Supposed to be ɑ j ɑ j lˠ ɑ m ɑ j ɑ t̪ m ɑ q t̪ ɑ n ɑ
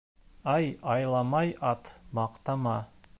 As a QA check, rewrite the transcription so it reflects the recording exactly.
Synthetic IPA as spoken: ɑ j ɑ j lˠ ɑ m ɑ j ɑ t̪ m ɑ q t̪ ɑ m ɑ